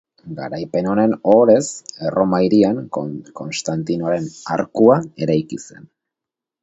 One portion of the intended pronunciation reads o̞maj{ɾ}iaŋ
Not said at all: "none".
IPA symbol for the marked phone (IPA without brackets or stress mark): ɾ